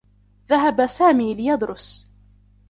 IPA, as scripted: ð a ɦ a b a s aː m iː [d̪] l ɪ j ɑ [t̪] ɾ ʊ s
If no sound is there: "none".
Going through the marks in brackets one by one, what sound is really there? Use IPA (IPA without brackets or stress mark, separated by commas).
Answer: none, d̪